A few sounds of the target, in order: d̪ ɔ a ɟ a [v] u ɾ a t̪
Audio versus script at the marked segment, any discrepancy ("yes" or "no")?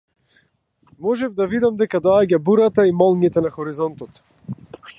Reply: yes